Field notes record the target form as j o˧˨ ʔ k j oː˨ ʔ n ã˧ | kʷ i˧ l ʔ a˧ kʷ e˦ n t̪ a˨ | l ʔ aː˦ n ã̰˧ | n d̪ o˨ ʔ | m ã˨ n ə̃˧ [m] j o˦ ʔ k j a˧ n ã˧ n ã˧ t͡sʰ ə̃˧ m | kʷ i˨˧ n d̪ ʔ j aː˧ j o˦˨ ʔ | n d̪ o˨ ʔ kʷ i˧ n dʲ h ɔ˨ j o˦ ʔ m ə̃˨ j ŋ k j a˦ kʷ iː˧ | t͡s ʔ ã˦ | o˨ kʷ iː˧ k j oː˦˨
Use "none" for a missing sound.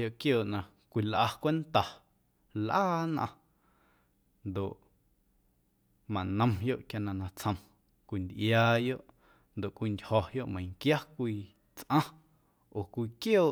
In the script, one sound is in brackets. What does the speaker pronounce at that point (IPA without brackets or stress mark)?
m